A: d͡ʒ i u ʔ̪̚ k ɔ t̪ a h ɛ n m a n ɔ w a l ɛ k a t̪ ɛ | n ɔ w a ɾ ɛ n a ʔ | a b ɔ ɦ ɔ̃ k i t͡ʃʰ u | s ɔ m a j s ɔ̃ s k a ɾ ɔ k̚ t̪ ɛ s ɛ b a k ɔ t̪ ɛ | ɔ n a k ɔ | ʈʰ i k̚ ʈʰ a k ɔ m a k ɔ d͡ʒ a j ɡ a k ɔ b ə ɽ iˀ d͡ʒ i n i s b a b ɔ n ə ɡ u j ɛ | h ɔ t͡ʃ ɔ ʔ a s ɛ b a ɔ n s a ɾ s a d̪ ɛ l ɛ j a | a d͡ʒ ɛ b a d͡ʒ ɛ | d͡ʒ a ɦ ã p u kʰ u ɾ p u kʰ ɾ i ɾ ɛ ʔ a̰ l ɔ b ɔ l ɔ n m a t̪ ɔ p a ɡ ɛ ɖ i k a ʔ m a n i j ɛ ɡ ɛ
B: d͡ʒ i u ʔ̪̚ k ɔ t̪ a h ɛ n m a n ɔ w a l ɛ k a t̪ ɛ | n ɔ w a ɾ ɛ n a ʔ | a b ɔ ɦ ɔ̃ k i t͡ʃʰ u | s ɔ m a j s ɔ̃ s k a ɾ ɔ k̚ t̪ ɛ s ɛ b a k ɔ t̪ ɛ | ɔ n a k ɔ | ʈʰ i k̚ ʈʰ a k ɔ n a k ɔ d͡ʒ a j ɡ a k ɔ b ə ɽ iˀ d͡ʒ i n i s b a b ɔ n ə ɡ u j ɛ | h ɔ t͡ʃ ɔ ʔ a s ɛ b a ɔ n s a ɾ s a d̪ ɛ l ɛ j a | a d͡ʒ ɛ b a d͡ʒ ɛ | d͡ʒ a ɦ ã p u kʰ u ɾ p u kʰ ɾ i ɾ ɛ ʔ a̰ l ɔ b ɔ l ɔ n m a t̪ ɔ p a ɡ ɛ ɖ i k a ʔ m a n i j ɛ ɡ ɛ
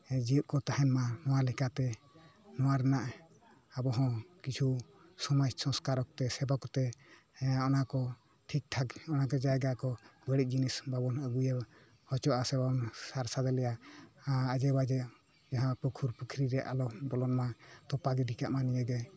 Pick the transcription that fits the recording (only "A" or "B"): B